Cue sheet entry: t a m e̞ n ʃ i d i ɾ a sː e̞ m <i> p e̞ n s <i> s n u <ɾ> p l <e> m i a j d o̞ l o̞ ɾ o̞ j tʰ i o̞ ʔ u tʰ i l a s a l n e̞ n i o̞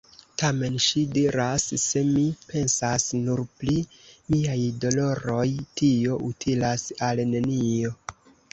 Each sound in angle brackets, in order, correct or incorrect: correct, incorrect, correct, incorrect

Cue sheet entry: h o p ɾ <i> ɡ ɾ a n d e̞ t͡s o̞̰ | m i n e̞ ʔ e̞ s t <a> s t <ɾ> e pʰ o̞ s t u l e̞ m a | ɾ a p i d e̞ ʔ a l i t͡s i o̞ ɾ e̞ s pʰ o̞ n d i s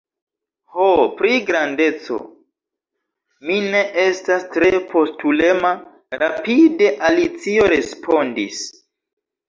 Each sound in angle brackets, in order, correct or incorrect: correct, correct, correct

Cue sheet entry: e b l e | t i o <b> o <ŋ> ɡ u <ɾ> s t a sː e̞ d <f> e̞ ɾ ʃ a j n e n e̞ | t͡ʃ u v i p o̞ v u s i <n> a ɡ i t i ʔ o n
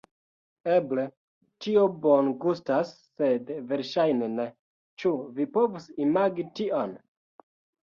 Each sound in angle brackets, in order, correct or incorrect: correct, incorrect, incorrect, incorrect, incorrect

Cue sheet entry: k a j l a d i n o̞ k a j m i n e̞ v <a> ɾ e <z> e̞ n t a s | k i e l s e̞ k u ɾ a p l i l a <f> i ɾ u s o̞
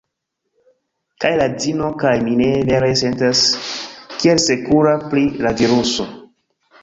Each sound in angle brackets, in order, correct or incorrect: incorrect, incorrect, incorrect

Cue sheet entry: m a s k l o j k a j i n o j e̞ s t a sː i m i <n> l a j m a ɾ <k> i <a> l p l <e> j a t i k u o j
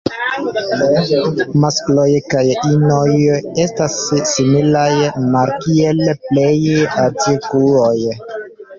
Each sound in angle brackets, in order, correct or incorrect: incorrect, correct, incorrect, correct

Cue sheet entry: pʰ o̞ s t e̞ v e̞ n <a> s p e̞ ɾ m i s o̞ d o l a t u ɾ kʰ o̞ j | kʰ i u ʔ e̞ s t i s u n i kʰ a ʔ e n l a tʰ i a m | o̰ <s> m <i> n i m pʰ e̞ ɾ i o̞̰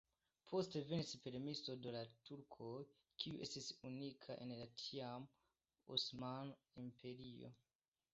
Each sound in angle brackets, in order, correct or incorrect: incorrect, correct, incorrect

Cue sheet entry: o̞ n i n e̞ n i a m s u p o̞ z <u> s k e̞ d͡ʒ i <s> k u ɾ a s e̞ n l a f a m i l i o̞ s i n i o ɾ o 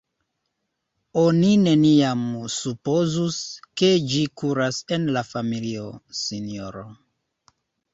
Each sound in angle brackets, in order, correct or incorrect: correct, incorrect

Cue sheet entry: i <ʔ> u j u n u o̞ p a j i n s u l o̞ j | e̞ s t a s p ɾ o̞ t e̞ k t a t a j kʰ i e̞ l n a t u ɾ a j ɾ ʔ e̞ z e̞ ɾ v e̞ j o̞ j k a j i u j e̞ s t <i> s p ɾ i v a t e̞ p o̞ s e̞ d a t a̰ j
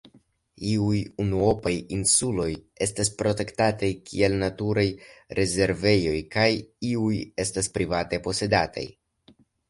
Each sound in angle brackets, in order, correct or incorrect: incorrect, incorrect

